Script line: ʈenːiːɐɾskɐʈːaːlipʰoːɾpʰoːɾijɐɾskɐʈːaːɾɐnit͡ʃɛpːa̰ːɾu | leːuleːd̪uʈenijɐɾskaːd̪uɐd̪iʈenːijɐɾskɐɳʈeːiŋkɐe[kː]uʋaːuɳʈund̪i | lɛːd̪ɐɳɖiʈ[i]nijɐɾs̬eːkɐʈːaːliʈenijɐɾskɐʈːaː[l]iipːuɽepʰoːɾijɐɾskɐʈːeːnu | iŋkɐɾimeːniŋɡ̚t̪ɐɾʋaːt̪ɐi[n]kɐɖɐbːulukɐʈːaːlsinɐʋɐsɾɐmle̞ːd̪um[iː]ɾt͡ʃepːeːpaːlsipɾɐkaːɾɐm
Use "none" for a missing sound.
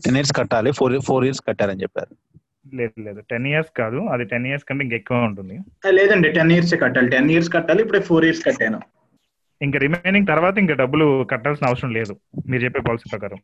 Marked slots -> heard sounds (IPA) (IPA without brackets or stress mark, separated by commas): kː, e, l, ŋ, iː